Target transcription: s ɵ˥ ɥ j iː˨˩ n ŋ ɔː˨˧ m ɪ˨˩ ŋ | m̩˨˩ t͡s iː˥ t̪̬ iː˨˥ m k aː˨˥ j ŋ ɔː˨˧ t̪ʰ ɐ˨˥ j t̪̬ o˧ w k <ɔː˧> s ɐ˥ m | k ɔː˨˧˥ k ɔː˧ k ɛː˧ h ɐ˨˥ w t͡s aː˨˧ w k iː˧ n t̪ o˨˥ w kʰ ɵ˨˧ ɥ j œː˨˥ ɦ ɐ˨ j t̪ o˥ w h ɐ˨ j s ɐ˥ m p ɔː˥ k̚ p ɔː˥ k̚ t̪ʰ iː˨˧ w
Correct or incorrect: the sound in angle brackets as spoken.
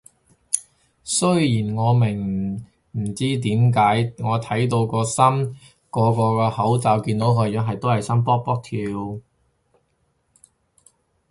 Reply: correct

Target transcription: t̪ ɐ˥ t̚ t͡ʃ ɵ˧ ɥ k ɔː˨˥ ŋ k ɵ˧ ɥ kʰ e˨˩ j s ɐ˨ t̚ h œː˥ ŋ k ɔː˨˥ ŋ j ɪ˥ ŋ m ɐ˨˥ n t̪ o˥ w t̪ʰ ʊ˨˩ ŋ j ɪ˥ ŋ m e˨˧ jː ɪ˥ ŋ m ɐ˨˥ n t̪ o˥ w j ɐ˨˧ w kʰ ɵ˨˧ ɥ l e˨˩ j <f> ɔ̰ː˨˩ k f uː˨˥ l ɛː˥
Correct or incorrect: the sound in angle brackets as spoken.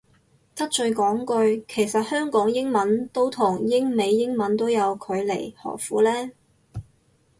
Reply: incorrect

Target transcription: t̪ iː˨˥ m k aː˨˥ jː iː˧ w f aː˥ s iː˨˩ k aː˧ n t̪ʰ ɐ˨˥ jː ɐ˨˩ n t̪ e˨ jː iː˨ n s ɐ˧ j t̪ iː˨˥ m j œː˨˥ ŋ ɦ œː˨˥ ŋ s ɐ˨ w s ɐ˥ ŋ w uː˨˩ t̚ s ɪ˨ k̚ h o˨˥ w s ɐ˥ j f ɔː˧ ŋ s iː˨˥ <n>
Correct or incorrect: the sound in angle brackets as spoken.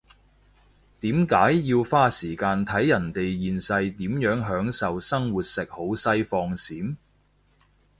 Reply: incorrect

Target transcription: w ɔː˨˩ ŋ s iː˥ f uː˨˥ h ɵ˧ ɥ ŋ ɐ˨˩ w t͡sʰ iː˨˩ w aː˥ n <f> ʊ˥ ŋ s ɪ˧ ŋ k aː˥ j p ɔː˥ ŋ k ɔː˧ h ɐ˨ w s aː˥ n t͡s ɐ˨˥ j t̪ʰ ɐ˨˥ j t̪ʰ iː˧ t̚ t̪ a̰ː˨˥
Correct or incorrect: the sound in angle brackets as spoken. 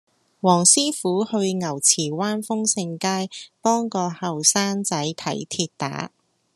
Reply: correct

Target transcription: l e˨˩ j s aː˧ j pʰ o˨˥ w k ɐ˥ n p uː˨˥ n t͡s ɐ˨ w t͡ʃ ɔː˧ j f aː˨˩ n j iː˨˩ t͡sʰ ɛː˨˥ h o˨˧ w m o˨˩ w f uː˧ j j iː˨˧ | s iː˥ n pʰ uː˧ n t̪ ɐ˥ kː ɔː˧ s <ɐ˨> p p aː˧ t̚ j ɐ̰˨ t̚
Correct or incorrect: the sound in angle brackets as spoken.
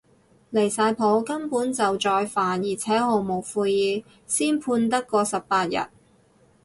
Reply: correct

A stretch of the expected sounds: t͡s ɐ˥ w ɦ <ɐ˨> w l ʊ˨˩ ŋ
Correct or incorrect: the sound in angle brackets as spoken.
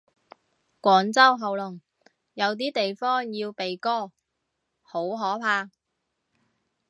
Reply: correct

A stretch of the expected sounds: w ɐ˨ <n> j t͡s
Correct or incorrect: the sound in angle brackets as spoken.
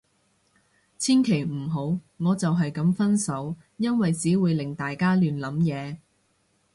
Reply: incorrect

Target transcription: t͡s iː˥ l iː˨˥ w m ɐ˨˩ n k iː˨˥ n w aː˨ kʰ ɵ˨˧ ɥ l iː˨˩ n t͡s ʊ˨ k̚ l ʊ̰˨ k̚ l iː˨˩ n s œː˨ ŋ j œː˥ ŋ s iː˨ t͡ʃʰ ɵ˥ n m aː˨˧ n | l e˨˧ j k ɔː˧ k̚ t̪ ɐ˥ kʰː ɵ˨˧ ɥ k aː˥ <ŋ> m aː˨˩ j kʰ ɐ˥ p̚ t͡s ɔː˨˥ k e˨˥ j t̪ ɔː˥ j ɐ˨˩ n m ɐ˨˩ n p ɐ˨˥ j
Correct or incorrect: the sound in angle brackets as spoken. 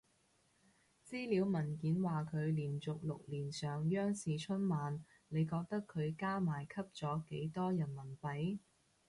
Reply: incorrect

